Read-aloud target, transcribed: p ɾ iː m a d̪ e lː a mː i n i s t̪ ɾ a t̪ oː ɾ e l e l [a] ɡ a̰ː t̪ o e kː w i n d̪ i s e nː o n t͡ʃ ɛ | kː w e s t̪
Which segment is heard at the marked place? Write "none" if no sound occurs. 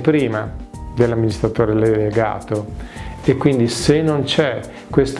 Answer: e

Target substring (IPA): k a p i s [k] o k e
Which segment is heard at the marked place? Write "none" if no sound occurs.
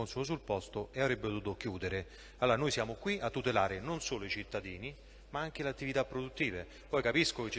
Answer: k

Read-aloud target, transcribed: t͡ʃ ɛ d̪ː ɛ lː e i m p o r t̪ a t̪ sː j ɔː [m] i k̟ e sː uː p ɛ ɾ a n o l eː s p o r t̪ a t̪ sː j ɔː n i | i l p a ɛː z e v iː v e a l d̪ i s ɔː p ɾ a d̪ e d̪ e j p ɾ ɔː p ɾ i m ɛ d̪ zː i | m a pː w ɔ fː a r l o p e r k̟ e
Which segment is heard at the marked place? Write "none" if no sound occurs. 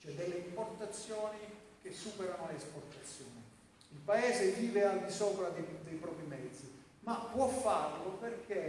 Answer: n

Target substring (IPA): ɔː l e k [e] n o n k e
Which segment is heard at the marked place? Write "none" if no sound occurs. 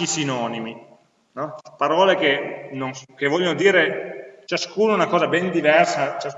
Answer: e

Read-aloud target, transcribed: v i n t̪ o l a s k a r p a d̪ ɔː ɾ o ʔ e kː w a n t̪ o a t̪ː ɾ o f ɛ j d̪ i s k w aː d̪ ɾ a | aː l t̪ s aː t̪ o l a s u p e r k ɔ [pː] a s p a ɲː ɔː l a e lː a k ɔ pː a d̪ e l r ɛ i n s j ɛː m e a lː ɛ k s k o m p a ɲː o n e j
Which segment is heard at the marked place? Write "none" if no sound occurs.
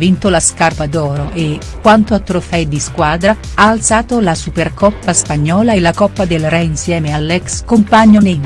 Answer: pː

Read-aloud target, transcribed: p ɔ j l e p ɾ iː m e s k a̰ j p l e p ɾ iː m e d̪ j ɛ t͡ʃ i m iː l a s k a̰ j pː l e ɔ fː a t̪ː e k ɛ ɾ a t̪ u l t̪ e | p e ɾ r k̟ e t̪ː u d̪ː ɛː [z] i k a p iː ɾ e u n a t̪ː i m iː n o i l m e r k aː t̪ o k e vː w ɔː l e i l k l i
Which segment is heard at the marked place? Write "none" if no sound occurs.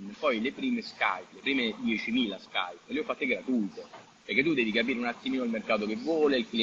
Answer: v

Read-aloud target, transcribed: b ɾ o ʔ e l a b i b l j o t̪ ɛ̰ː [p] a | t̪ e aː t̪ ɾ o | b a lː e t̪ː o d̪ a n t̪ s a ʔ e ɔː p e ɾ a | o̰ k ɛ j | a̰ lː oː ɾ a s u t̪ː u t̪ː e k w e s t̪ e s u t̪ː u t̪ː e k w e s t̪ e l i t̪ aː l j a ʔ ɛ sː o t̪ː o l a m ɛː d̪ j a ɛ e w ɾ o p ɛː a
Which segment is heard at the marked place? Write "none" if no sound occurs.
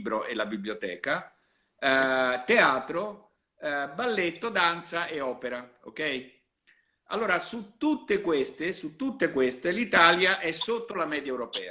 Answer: k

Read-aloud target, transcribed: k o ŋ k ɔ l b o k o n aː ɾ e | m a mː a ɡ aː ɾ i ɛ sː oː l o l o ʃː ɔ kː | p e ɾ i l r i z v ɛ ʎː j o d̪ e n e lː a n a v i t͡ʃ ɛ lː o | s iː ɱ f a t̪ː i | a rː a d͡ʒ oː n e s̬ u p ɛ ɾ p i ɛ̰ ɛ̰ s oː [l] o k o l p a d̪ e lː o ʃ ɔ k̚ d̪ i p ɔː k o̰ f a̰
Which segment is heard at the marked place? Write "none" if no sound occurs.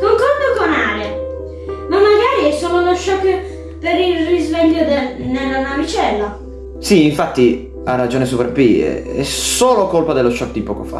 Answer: l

